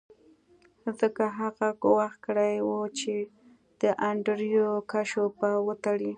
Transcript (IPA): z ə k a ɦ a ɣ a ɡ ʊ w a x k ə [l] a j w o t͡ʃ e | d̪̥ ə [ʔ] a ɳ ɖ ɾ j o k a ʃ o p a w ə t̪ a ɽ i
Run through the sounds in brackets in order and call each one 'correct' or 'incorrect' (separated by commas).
incorrect, correct